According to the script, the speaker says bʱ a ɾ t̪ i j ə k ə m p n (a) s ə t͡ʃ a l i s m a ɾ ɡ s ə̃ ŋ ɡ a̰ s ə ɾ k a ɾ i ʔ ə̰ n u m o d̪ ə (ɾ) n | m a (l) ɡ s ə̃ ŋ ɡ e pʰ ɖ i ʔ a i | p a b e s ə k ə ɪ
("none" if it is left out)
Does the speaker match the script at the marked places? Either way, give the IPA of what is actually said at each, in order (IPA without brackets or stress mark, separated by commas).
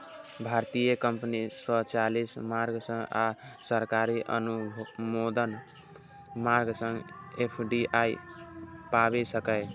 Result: i, none, ɾ